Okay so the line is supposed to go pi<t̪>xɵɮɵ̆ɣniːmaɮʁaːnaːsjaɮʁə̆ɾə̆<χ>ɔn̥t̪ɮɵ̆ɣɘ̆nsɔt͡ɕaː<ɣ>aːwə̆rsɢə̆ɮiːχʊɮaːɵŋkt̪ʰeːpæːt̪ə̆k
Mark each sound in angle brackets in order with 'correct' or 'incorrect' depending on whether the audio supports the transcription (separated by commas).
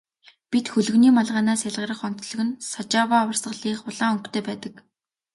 correct, correct, incorrect